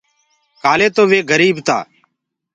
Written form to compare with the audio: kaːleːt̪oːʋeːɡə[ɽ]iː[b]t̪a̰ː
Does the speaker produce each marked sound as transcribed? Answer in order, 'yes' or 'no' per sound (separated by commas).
no, yes